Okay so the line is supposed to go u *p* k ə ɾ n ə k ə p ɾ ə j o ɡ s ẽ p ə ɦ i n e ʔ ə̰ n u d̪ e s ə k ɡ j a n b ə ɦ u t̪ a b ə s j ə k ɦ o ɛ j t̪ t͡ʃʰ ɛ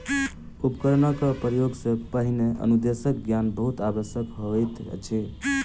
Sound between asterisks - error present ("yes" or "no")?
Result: no